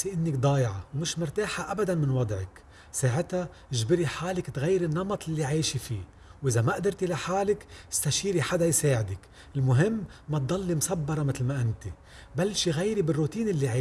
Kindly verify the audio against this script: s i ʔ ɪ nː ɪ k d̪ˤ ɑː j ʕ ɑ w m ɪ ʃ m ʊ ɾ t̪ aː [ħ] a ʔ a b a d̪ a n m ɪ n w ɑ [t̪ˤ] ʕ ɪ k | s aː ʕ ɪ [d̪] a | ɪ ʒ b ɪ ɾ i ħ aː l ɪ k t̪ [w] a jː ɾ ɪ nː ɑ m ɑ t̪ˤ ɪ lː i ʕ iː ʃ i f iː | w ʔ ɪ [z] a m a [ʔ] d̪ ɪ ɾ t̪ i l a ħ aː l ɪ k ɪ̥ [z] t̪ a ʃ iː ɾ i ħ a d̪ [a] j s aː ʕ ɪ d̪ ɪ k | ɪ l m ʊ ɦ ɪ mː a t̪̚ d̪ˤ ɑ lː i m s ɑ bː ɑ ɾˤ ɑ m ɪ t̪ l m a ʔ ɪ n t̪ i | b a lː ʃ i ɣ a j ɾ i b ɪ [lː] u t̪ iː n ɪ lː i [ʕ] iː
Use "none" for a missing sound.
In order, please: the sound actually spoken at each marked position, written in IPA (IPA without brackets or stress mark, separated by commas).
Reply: ħ, d̪ˤ, t̪, ɣ, z, ʔ, s, a, rː, ʕ